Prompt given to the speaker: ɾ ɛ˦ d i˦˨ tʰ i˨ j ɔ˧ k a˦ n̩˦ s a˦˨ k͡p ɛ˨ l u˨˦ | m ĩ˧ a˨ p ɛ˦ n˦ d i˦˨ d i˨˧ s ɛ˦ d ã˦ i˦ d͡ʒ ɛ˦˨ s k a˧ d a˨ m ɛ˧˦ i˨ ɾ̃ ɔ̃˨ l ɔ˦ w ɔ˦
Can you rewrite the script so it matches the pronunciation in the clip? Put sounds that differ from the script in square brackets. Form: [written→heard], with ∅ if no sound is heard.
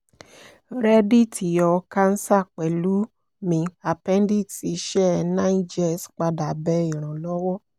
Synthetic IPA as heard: ɾ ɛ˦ d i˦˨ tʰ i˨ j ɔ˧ k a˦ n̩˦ s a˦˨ k͡p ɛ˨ l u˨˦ | m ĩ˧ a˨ p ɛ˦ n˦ d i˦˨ [d→t] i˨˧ [s→ʃ] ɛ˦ [d→n] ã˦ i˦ d͡ʒ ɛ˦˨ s [k→k͡p] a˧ d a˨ [m→b] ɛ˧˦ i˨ ɾ̃ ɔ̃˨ l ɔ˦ w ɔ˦